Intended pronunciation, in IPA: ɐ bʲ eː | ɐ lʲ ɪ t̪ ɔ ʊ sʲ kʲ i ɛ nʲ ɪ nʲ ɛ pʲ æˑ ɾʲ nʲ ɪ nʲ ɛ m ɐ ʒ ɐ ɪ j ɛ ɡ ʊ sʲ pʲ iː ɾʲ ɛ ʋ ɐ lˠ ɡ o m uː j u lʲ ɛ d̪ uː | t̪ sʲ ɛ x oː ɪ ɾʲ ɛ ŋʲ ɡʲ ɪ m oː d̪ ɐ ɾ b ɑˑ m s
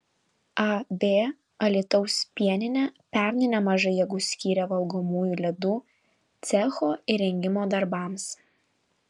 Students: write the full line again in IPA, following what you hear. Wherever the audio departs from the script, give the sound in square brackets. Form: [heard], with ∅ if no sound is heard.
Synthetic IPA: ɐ bʲ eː | ɐ lʲ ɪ t̪ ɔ ʊ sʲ [pʲ] i ɛ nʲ ɪ nʲ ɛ pʲ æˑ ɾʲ nʲ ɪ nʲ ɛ m ɐ ʒ ɐ ɪ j ɛ ɡ ʊ sʲ [kʲ] iː ɾʲ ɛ ʋ ɐ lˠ ɡ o m uː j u lʲ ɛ d̪ uː | t̪ sʲ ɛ x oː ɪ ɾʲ ɛ ŋʲ ɡʲ ɪ m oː d̪ ɐ ɾ b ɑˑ m s

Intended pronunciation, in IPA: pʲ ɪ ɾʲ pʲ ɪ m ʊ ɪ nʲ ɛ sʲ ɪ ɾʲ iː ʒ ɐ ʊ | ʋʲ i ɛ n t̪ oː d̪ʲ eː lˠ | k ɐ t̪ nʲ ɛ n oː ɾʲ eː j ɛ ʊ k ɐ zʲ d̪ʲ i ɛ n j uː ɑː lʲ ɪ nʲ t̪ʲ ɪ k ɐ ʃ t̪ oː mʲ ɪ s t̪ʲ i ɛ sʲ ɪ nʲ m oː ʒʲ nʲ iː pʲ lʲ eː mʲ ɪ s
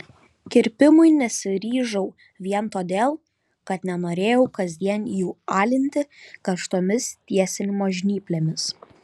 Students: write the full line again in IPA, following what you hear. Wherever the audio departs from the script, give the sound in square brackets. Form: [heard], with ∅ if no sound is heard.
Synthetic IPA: [kʲ] ɪ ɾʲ pʲ ɪ m ʊ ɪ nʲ ɛ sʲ ɪ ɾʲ iː ʒ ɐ ʊ | ʋʲ i ɛ n t̪ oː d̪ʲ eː lˠ | k ɐ t̪ nʲ ɛ n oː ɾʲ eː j ɛ ʊ k ɐ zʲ d̪ʲ i ɛ n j uː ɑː lʲ ɪ nʲ t̪ʲ ɪ k ɐ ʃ t̪ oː mʲ ɪ s t̪ʲ i ɛ sʲ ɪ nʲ m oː ʒʲ nʲ iː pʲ lʲ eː mʲ ɪ s

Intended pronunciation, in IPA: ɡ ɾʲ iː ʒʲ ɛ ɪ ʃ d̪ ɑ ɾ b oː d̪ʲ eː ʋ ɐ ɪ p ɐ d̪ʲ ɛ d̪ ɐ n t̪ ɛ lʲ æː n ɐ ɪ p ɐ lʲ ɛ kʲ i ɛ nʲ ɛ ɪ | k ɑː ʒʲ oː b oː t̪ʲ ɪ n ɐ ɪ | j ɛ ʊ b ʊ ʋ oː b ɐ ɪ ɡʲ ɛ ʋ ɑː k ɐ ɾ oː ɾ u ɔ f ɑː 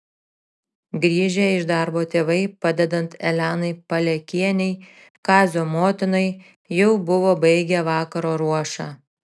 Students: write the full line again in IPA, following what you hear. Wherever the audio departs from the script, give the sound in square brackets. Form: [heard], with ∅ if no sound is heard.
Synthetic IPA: ɡ ɾʲ iː ʒʲ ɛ ɪ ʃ d̪ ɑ ɾ b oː [t̪ʲ] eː ʋ ɐ ɪ p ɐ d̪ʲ ɛ d̪ ɐ n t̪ ɛ lʲ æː n ɐ ɪ p ɐ lʲ ɛ kʲ i ɛ nʲ ɛ ɪ | k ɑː [zʲ] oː [m] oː t̪ʲ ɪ n ɐ ɪ | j ɛ ʊ b ʊ ʋ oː b ɐ ɪ ɡʲ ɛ ʋ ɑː k ɐ ɾ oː ɾ u ɔ [ʃ] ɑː

